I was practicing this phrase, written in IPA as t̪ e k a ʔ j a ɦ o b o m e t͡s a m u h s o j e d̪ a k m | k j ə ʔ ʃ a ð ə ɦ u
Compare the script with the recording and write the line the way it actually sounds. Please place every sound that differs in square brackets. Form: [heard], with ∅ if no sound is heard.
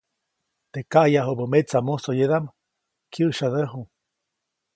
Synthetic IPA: t̪ e k a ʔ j a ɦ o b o m e t͡s a m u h s o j e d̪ a [∅] m | k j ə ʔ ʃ a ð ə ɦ u